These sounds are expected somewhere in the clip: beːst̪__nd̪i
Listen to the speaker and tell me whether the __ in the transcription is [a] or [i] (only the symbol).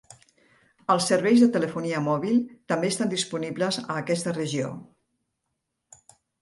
a